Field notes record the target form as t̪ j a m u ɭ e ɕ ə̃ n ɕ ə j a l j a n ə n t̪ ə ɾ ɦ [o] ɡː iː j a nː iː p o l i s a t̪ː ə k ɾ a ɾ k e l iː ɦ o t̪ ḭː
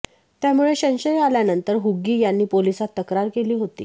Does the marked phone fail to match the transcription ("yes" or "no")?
yes